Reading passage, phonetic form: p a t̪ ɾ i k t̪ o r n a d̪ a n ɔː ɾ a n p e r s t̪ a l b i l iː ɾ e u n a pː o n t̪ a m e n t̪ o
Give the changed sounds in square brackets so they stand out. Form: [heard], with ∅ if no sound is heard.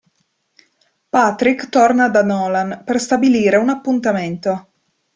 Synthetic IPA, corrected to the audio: p a t̪ ɾ i k t̪ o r n a d̪ a n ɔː [l] a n p e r s t̪ a [∅] b i l iː ɾ e u n a pː [u] n t̪ a m e n t̪ o